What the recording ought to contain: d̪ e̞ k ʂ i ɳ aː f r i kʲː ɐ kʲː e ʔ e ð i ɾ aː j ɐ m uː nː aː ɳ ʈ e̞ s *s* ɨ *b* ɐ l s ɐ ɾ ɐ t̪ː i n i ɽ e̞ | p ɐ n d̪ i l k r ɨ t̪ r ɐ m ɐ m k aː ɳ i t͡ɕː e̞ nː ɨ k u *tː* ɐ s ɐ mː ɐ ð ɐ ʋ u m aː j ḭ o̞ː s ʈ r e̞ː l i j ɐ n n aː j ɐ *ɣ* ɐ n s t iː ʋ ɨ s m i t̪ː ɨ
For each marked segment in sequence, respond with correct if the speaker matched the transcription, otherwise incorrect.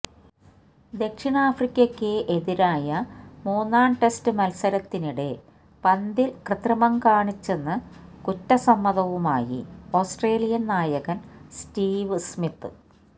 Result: incorrect, incorrect, correct, correct

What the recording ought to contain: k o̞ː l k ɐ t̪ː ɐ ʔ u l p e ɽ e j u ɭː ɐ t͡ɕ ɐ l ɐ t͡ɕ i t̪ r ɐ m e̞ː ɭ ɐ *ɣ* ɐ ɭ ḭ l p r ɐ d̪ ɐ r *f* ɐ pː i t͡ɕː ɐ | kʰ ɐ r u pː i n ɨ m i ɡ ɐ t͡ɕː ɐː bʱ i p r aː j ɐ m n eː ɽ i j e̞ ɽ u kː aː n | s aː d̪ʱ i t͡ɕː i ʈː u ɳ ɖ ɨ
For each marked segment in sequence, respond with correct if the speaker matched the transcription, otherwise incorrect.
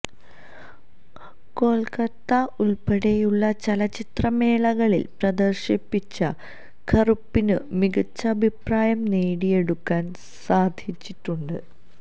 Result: correct, incorrect

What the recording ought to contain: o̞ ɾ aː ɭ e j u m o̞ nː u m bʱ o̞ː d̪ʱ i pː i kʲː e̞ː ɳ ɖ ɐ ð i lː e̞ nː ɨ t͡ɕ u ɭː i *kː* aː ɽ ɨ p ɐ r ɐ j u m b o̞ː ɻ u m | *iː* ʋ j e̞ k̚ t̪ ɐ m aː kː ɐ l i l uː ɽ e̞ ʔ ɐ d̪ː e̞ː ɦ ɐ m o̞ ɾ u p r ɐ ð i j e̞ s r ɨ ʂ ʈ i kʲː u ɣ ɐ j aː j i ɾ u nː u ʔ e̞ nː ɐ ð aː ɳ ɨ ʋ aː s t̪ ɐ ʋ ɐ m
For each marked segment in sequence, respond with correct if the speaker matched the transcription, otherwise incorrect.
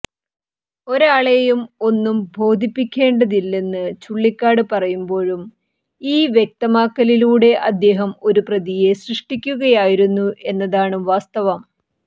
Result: correct, correct

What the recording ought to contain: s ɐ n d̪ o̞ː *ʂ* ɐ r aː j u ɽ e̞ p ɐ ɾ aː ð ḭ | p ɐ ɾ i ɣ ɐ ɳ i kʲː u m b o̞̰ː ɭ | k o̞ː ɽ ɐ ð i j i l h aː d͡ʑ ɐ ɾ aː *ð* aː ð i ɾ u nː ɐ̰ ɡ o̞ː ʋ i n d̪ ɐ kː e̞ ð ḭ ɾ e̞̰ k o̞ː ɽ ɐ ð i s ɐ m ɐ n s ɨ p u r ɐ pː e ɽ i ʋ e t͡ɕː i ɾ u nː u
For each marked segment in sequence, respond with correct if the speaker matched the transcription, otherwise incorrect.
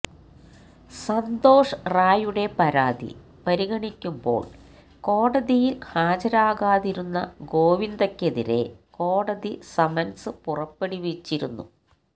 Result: correct, incorrect

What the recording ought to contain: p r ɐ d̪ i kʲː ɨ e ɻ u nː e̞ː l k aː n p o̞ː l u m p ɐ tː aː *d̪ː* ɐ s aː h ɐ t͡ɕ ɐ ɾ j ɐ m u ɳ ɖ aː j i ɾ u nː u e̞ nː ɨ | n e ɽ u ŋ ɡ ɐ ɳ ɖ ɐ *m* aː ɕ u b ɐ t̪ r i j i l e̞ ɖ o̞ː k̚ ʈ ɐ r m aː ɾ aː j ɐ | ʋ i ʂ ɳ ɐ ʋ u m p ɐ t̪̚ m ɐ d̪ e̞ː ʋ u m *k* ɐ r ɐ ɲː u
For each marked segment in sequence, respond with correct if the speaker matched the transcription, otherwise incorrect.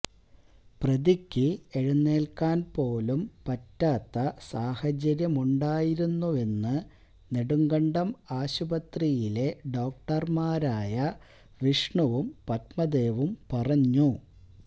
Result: incorrect, correct, incorrect

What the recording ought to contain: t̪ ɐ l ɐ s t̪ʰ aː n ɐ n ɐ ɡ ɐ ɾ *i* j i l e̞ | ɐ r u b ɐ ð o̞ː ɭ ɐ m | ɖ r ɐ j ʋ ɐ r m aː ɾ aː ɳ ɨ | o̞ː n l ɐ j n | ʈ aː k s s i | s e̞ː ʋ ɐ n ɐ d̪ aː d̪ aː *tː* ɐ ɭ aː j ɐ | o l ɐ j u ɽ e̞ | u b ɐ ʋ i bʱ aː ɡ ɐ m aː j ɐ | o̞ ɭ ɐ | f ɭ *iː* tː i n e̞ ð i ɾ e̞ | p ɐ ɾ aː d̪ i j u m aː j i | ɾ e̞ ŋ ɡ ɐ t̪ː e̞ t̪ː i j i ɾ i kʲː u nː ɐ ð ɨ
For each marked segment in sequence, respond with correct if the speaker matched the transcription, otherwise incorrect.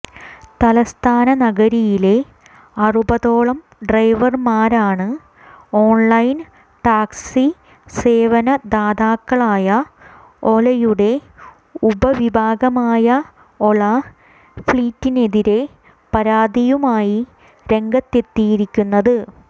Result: correct, incorrect, correct

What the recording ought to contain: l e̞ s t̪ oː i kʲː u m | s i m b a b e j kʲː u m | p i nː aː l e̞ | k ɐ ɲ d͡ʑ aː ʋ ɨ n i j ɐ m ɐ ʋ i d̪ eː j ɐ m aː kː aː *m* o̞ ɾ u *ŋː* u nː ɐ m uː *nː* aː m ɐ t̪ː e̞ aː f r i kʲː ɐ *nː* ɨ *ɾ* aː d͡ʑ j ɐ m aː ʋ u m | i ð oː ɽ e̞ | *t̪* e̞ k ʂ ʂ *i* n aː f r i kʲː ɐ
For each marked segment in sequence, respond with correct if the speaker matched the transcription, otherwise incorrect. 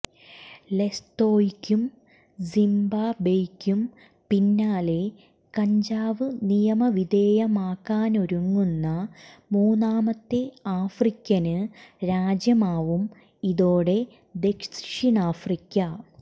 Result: incorrect, correct, incorrect, incorrect, correct, incorrect, correct

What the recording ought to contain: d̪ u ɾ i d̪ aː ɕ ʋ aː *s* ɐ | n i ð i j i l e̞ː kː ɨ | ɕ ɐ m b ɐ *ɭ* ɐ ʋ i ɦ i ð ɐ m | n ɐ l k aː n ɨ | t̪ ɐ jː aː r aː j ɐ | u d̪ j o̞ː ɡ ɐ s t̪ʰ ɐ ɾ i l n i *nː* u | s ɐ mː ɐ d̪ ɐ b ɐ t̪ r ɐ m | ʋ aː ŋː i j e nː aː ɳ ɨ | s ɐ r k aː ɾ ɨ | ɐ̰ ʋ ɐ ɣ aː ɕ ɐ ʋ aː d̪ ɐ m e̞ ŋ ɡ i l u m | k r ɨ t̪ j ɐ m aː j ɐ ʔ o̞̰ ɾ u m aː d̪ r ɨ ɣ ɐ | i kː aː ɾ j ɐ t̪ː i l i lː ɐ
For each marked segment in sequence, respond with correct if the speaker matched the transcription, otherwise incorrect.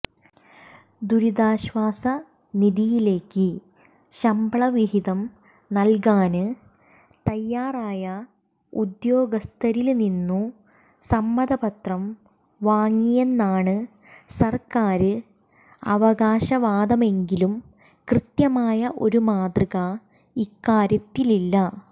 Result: correct, correct, correct

